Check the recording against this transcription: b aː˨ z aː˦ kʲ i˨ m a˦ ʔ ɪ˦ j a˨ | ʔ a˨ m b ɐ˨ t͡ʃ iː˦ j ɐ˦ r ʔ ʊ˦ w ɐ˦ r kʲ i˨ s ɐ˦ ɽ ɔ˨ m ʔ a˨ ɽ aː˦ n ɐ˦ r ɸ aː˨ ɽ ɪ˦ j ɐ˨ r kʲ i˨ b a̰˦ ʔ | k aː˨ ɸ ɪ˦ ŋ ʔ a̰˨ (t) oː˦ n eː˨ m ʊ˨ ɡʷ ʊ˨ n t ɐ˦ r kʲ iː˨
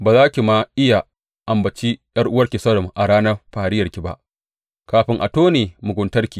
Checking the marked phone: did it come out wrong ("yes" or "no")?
no